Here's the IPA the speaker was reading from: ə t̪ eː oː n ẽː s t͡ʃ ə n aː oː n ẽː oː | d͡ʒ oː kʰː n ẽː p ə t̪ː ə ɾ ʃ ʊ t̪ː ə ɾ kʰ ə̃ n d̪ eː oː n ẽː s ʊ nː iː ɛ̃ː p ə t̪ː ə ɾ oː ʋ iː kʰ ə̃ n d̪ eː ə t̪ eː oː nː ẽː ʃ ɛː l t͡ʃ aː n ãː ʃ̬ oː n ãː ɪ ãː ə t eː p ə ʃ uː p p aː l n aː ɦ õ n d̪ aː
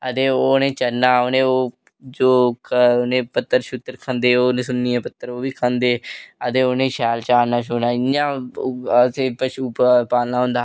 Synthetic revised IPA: ə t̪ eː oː n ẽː t͡ʃ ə n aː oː n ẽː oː | d͡ʒ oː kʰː n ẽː p ə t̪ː ə ɾ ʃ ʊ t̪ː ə ɾ kʰ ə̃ n d̪ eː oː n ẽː s ʊ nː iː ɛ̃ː p ə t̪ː ə ɾ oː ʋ iː kʰ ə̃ n d̪ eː ə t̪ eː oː n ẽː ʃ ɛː l t͡ʃ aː n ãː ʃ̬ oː n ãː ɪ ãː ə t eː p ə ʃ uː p p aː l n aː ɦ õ n d̪ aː